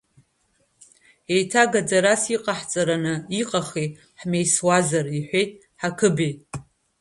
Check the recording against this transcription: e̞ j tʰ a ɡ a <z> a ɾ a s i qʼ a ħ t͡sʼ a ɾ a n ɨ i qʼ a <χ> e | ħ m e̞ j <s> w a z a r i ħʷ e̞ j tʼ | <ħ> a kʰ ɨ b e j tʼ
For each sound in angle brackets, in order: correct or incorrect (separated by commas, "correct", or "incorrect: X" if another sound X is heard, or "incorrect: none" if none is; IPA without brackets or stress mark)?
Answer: incorrect: d͡z, correct, correct, correct